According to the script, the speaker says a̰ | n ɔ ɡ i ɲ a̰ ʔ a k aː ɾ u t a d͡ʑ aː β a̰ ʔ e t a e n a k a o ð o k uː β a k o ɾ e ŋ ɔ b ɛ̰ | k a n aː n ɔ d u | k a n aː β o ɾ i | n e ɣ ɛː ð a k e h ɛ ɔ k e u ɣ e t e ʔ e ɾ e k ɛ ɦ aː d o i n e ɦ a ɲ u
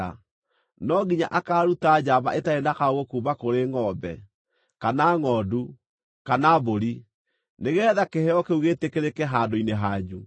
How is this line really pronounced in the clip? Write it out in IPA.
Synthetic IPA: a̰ | n ɔ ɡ i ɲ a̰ ʔ a k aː ɾ u t a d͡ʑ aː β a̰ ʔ e t a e n a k a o ɣ o k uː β a k o ɾ e ŋ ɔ b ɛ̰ | k a n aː ŋ ɔ d u | k a n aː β o ɾ i | n e ɣ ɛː ð a k e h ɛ ɔ k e u ɣ e t e k e ɾ e k ɛ ɦ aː d o i n e ɦ a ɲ u